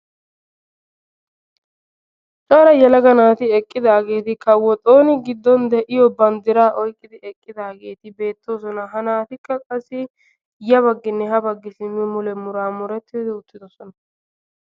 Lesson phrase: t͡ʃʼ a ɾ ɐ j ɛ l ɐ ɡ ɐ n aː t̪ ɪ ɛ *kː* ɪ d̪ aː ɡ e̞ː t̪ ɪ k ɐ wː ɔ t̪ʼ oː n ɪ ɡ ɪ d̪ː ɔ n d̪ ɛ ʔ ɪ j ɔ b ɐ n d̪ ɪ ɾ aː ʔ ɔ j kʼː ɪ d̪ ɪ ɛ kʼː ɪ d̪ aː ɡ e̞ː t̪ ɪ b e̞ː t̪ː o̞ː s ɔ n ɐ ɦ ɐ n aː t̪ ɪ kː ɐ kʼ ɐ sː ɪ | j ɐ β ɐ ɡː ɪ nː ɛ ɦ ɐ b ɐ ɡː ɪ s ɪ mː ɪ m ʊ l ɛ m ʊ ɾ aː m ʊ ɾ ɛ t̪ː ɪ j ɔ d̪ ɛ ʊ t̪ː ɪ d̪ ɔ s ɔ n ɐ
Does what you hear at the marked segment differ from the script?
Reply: yes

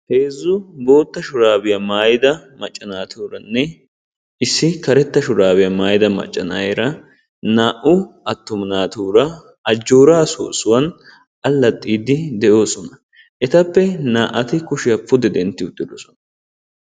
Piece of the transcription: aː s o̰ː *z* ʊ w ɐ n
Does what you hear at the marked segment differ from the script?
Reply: yes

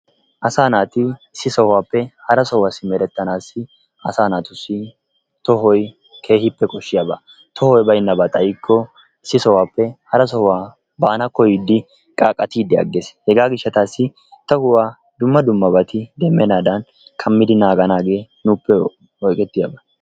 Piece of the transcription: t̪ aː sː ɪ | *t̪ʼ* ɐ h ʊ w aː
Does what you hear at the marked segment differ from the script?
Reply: yes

